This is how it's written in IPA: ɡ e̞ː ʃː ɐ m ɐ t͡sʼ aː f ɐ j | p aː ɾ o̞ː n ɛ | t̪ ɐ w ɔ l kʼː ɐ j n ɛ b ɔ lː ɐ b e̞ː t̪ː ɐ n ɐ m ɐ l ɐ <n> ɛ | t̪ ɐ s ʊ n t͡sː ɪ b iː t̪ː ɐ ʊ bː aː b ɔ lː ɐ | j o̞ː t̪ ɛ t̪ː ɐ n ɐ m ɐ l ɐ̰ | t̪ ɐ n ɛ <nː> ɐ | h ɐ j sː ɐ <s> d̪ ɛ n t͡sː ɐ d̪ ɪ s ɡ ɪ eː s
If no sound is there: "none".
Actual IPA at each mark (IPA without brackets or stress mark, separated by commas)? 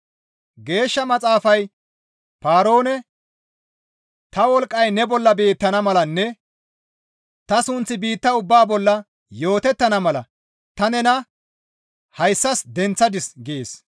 nː, n, s